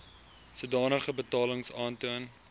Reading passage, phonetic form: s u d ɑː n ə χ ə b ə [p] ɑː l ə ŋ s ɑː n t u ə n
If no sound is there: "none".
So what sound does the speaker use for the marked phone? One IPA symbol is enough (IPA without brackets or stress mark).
t